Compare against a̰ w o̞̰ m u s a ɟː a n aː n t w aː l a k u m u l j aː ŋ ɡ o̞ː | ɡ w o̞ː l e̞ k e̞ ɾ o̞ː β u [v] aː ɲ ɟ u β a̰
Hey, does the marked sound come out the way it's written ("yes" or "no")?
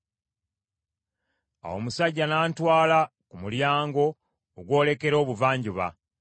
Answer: yes